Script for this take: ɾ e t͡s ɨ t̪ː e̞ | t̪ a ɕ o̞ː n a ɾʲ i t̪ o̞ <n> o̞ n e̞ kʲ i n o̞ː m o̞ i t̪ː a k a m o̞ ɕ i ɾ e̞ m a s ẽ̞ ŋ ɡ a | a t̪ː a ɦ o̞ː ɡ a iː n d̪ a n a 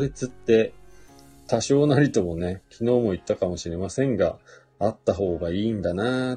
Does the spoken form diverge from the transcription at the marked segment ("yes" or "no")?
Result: yes